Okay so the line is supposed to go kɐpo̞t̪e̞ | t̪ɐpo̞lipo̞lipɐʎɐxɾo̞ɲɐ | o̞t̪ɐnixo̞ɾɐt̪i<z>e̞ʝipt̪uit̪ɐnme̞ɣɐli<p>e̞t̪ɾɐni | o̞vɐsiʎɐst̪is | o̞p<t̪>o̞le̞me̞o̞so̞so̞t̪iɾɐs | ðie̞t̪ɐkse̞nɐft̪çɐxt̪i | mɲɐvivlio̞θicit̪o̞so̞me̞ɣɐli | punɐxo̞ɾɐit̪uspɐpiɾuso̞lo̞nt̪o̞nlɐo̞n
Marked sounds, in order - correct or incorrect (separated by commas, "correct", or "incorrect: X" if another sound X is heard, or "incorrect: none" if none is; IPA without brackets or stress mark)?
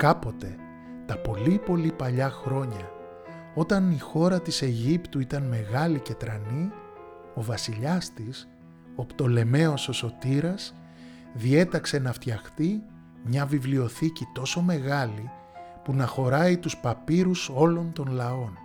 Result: incorrect: s, incorrect: c, correct